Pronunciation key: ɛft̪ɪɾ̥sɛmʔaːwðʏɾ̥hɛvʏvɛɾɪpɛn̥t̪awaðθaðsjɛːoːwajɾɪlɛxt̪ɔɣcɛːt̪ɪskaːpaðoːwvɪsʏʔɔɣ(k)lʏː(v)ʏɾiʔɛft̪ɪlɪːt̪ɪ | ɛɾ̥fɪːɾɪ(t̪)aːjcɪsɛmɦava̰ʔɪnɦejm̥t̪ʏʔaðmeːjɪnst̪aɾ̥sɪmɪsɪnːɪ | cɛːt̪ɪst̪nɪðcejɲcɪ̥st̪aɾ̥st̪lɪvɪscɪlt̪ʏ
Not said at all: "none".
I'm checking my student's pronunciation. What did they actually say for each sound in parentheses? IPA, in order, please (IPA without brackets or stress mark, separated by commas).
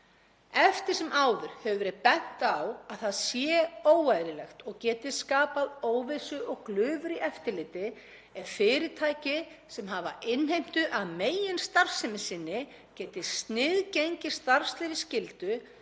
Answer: k, v, t̪ʰ